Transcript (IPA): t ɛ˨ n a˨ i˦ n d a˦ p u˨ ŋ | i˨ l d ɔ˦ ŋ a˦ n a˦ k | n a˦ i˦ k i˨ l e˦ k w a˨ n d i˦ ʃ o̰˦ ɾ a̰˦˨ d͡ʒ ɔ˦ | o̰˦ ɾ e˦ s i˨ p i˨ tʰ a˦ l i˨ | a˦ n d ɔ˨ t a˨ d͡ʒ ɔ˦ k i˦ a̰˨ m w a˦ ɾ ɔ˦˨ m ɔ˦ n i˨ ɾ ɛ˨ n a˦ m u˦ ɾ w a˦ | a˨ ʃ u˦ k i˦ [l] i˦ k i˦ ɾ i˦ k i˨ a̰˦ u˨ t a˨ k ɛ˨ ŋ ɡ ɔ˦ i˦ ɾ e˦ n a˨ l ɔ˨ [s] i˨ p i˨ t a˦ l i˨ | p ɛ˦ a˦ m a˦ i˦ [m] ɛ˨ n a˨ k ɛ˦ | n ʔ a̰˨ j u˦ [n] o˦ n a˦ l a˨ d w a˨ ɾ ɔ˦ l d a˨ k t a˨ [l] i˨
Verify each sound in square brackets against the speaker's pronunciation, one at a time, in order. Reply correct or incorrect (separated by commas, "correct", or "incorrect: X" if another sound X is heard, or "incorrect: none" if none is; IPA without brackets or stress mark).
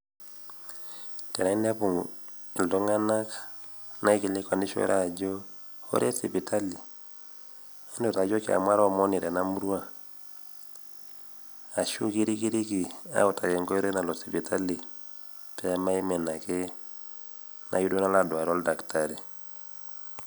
incorrect: ɾ, correct, correct, incorrect: d, incorrect: ɾ